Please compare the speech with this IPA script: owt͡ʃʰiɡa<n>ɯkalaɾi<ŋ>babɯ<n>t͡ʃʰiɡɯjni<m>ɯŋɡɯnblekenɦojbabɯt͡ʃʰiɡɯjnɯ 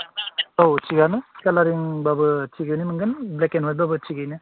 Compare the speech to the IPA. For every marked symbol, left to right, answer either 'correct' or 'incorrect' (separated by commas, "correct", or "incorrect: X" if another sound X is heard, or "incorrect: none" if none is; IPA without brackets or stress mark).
correct, correct, incorrect: none, correct